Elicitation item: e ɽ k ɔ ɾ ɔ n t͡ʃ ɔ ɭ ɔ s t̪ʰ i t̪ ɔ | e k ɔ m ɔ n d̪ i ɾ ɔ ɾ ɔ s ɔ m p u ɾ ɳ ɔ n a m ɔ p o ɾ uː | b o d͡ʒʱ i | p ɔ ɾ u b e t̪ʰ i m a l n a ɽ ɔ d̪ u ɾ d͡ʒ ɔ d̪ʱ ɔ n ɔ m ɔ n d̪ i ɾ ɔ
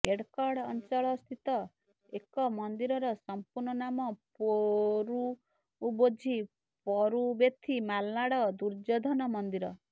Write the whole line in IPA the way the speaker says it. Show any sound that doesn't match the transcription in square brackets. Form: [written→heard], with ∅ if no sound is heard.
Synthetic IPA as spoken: e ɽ k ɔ [ɾ→ɽ] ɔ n t͡ʃ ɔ ɭ ɔ s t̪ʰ i t̪ ɔ | e k ɔ m ɔ n d̪ i ɾ ɔ ɾ ɔ s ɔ m p u ɾ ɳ ɔ n a m ɔ p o ɾ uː | b o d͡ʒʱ i | p ɔ ɾ u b e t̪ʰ i m a l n a ɽ ɔ d̪ u ɾ d͡ʒ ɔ d̪ʱ ɔ n ɔ m ɔ n d̪ i ɾ ɔ